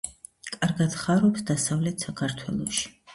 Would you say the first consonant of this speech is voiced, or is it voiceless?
voiceless